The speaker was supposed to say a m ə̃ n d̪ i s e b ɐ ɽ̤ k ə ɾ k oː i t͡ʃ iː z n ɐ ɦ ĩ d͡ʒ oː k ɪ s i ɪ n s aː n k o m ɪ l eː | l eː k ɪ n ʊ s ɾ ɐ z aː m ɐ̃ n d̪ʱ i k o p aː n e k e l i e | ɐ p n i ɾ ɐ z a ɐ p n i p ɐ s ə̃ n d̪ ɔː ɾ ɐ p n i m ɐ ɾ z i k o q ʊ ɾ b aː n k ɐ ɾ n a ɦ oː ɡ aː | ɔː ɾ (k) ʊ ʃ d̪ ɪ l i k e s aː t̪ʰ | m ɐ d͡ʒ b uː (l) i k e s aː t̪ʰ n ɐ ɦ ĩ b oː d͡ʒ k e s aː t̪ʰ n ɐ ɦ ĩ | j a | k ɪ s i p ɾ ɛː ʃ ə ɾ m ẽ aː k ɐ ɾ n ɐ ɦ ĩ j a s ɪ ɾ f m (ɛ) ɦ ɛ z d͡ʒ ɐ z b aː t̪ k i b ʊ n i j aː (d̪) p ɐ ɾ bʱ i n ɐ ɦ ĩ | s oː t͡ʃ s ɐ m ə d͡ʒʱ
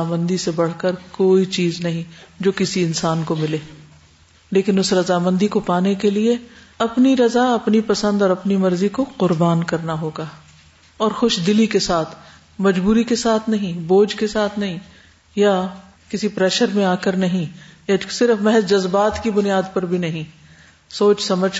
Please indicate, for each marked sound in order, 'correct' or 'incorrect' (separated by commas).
incorrect, incorrect, correct, correct